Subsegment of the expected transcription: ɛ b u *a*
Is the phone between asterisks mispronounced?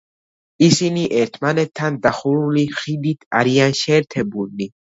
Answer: yes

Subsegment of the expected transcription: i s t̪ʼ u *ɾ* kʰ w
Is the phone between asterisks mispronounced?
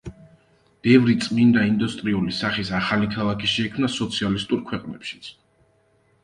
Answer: no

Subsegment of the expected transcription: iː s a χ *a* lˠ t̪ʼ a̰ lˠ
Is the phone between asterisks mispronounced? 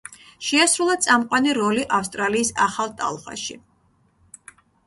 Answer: no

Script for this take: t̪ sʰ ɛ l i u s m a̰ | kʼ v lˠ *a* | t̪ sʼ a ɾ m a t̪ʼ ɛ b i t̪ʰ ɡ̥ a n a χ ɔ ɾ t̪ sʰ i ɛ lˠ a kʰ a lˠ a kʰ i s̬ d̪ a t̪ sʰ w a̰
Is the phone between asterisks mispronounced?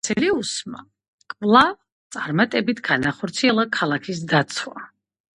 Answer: no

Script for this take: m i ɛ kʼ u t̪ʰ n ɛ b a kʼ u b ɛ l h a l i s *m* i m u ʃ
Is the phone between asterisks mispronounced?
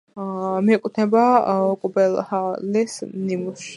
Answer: yes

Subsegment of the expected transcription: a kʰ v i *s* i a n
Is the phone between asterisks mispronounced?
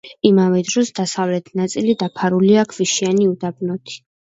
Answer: yes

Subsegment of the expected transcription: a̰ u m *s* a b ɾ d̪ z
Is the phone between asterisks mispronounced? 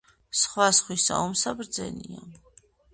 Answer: no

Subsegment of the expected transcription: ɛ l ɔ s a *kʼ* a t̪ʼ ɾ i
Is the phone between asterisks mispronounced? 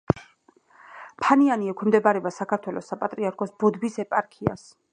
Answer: yes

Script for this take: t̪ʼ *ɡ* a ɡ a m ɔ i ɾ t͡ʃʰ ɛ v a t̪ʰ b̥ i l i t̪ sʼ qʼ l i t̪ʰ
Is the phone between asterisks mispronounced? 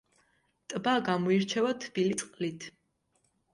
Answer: yes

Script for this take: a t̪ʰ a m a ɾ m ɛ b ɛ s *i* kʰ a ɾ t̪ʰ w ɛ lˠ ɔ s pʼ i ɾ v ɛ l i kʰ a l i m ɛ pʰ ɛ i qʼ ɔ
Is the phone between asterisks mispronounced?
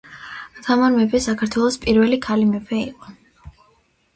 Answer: yes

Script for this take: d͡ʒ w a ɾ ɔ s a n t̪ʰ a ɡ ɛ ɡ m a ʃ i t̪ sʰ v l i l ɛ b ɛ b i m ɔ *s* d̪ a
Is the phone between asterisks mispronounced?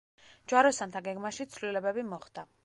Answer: yes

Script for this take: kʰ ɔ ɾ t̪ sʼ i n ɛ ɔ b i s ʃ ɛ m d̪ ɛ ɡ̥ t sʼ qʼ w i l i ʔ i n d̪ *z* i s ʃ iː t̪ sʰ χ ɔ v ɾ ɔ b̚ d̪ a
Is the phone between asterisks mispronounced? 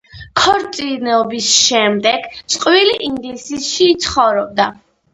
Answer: yes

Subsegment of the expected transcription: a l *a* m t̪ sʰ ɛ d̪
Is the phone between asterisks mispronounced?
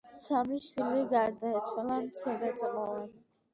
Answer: no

